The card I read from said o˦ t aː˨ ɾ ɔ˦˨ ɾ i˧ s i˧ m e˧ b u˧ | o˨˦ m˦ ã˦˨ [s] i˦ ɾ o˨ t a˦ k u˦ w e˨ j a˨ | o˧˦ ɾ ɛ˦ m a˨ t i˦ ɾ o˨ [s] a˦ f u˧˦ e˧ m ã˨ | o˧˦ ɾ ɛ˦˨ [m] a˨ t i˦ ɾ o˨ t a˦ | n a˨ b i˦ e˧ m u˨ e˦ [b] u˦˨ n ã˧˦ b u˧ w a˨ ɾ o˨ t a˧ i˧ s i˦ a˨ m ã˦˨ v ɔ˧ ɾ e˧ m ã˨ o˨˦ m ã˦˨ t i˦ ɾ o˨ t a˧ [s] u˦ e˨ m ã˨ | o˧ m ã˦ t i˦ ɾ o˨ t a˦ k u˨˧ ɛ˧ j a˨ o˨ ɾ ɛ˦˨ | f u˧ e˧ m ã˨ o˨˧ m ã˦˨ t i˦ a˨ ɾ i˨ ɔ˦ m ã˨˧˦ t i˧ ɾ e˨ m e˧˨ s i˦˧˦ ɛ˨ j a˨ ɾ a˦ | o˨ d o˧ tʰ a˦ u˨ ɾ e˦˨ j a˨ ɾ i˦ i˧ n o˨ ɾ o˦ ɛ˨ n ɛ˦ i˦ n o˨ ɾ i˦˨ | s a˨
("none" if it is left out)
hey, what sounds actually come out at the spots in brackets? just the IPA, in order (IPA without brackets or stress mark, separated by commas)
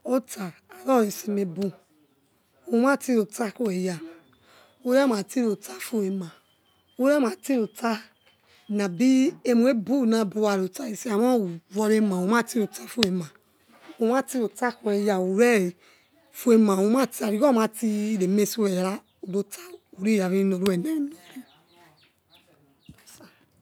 t, t, m, b, f